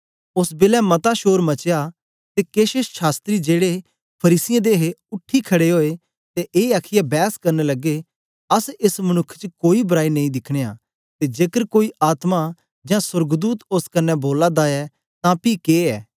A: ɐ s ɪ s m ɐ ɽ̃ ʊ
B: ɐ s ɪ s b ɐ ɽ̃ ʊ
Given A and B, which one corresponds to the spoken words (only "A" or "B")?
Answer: A